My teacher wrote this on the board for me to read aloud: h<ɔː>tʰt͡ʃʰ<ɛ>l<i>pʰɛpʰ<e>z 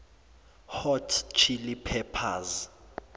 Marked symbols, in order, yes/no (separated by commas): no, no, yes, no